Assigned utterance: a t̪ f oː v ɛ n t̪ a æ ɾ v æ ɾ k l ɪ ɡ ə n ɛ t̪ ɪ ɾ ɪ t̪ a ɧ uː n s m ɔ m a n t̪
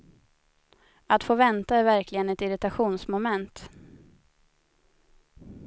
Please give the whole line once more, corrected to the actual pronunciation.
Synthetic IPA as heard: a t̪ f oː v ɛ n t̪ a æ ɾ v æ ɾ k l ɪ ɡ ə n ɛ t̪ ɪ ɾ ɪ t̪ a ɧ uː n s m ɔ m ɛ n t̪

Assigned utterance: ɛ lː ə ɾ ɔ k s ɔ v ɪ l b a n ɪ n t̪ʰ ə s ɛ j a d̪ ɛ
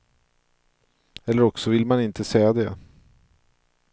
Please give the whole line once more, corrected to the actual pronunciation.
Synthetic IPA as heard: ɛ lː ə ɾ ɔ k s ɔ v ɪ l m a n ɪ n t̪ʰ ə s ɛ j a d̪ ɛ

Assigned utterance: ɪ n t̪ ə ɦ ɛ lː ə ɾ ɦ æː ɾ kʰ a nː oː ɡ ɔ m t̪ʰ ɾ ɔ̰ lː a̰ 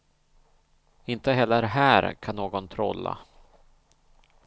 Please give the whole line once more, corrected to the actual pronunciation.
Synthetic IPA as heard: ɪ n t̪ ə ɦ ɛ lː ə ɾ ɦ æː ɾ kʰ a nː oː ɡ ɔ n t̪ʰ ɾ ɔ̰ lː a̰

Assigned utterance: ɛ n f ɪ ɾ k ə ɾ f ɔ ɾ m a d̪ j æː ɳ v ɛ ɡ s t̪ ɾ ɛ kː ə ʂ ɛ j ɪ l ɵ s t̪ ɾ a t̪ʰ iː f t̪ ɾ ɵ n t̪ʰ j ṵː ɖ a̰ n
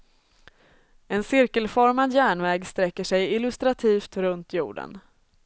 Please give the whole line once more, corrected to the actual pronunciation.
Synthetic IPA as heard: ɛ n s ɪ ɾ k ə l f ɔ ɾ m a d̪ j æː ɳ v ɛː ɡ s t̪ ɾ ɛ kː ə ʂ ɛ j ɪ l ɵ s t̪ ɾ a t̪ʰ iː f t̪ ɾ ɵ n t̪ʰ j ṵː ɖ ə̰ n

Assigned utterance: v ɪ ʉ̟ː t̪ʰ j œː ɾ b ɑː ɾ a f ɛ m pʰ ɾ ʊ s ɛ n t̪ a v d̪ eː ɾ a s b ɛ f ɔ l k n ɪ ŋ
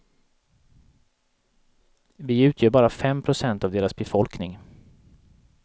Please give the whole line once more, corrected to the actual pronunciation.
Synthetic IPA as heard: v ɪ ʉ̟ː t̪ʰ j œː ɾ b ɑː ɾ a f ɛ m pʰ ɾ ʊ s ɛ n t̪ a v d̪ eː ɾ a s b ɛ f ɔ l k n ɪ ŋ

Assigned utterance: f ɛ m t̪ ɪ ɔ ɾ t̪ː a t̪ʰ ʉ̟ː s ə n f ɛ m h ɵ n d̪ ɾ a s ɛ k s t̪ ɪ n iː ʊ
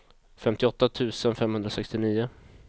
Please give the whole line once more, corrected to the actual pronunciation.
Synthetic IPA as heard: f ɛ m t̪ ɪ ɔ t̪ː a t̪ʰ ʉ̟ː s ə n f ɛ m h ɵ n d̪ ɾ a s ɛ k s t̪ ɪ n iː ʊ

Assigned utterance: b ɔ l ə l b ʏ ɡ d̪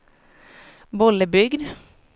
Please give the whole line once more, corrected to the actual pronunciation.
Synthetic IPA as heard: b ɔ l ə b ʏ ɡ d̪

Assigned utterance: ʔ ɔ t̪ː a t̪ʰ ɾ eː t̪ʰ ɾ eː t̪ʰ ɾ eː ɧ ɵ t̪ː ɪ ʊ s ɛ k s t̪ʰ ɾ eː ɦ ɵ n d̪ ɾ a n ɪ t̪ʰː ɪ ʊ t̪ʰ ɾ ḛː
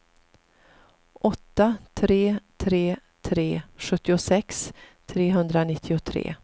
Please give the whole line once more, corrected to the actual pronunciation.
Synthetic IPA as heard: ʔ ɔ t̪ː a t̪ʰ ɾ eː t̪ʰ ɾ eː t̪ʰ ɾ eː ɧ ɵ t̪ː ɪ ʊ s ɛ k s t̪ʰ ɾ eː ɦ ɵ n d̪ ɾ a n ɪ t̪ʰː ɪ ʊ t̪ʰ ɾ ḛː

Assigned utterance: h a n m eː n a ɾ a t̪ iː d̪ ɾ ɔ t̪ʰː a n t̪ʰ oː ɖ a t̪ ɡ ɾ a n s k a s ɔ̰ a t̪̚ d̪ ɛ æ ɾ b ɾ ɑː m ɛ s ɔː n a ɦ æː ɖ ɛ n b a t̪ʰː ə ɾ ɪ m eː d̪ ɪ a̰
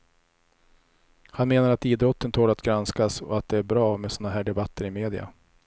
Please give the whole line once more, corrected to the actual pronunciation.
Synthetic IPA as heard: h a n m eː n a ɾ a t̪ iː d̪ ɾ ɔ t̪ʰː ə n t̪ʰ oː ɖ a t̪ ɡ ɾ a n s k a s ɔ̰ a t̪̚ d̪ ɛ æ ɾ b ɾ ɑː m ɛ s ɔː n a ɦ æː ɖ ɛ b a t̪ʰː ə ɾ ɪ m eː d̪ ɪ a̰

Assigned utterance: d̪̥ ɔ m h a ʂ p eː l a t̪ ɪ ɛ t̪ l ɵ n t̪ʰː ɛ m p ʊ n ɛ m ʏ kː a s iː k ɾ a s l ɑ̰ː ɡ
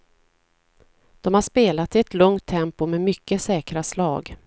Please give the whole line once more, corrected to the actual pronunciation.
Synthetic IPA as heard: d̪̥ ɔ m h a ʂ p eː l a t̪ ɪ ɛ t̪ l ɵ ŋ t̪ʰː ɛ m p ʊ m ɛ m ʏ kː ə s ɛː k ɾ a s l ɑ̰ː ɡ

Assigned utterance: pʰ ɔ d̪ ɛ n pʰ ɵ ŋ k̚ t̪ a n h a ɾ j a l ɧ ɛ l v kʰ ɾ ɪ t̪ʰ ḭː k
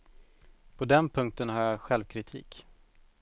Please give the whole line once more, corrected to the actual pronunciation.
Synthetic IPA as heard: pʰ ɔ d̪ ɛ n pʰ ɵ ŋ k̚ t̪ ə n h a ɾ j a ɧ ɛ l v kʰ ɾ ɪ t̪ʰ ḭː k

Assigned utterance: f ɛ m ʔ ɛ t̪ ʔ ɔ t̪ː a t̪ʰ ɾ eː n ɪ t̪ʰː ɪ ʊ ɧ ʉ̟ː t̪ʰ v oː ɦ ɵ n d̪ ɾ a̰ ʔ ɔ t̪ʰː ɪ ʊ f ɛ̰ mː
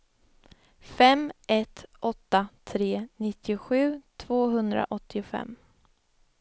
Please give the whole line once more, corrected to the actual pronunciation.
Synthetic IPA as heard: f ɛ m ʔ ɛ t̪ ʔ ɔ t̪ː a t̪ʰ ɾ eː n ɪ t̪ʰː ɪ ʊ ɧ ʉ̟ː t̪ʰ v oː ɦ ɵ n d̪ ɾ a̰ ʔ ɔ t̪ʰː ɪ ʊ f ɛ̰ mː

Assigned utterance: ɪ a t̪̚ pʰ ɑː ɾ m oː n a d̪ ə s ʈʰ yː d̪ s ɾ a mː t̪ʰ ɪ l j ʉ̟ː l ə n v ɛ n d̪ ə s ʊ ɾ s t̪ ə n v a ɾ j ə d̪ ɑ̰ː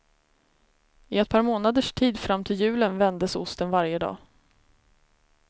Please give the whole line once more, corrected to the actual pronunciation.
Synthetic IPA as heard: ɪ ɛ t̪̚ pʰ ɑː ɾ m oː n a d̪ ə ʂ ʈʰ iː d̪ f ɾ a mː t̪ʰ ɪ l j ʉ̟ː l ə n v ɛ n d̪ ə s ʊ s t̪ ə n v a ɾ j ə d̪ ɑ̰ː

